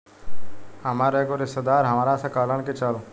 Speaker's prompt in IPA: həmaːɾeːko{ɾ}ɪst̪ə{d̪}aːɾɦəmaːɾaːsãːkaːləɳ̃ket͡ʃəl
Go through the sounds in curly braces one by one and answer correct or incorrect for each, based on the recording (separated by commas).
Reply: correct, correct